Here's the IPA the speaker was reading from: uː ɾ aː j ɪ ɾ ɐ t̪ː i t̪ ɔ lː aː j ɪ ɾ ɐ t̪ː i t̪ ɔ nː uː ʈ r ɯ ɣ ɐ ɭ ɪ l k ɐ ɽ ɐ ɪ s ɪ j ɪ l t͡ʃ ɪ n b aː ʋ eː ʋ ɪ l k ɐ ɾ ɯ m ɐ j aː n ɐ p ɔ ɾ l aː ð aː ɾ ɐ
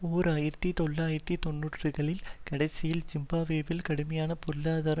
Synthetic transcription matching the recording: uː ɾ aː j ɪ ɾ ɐ t̪ː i t̪ ɔ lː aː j ɪ ɾ ɐ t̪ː i t̪ ɔ nː uː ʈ r ɯ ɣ ɐ ɭ ɪ l k ɐ ɽ ɐ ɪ s ɪ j ɪ l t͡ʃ ɪ m b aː ʋ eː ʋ ɪ l k ɐ ɽ ɯ m ɐ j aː n ɐ p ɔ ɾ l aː ð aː ɾ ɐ